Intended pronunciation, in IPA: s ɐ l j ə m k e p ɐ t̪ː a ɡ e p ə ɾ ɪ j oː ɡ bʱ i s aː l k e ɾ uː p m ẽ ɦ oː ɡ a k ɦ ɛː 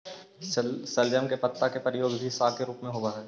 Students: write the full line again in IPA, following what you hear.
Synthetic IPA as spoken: s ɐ l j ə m k e p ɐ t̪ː a k e p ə ɾ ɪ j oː ɡ bʱ i s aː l k e ɾ uː p m ẽ ɦ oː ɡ a ɦ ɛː